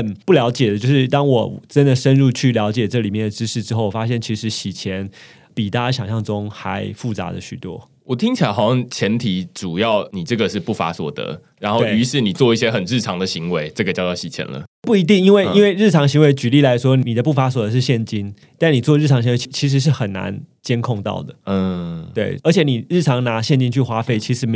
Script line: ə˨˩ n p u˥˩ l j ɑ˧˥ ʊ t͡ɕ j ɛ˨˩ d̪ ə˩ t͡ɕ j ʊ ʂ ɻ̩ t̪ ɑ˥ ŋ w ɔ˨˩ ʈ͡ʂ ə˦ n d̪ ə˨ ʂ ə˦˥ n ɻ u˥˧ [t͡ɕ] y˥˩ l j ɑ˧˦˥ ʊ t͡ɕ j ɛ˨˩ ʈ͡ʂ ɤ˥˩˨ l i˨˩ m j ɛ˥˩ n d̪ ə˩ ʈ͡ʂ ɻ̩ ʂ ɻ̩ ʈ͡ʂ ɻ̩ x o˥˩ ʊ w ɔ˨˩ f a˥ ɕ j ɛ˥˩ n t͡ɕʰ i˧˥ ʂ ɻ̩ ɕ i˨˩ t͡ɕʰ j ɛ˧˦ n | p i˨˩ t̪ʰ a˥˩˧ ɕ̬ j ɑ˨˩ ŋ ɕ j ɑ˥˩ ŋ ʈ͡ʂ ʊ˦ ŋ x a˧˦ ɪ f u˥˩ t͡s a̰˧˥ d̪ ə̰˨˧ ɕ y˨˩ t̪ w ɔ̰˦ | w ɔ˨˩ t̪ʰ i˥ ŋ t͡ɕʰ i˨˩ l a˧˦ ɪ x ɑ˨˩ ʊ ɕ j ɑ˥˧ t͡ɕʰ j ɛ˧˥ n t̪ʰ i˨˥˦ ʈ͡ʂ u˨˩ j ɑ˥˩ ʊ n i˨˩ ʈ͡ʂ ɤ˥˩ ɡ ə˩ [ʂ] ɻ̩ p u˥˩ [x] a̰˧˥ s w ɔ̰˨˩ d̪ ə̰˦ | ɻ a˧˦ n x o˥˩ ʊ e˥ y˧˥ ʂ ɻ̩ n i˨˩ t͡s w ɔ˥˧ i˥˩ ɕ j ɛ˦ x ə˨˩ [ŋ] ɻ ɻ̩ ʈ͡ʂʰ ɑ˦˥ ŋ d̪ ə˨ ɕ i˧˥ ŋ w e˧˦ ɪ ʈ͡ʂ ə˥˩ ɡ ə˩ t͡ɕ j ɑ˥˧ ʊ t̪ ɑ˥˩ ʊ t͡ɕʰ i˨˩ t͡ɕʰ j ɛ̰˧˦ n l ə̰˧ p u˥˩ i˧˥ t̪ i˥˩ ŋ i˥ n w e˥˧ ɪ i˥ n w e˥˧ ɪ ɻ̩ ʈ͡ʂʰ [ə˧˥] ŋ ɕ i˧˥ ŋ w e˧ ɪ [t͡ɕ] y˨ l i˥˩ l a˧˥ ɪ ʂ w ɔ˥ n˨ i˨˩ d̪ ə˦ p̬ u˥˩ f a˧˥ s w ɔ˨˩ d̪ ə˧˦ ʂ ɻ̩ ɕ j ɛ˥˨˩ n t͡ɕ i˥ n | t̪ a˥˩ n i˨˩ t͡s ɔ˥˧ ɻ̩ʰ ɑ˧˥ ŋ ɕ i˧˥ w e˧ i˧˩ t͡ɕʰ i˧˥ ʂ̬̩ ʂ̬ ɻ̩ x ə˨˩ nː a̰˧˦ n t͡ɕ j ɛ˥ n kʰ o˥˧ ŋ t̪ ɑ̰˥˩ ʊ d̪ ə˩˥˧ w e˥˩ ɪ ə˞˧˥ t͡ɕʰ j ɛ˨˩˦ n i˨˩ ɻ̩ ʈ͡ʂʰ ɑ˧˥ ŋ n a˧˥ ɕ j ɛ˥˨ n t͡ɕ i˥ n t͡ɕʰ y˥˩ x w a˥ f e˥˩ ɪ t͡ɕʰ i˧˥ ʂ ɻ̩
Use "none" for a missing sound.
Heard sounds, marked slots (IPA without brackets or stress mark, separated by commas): t͡ɕʰ, ʂ, f, n, ɑ˧˥, t͡ɕ